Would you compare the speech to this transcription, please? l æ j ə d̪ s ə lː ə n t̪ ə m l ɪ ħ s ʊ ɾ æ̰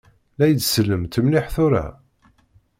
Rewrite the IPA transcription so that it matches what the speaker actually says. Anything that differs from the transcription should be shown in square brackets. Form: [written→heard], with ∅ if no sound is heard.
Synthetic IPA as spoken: l æ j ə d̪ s ə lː ə [n→m] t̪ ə m l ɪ ħ [s→θ] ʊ ɾ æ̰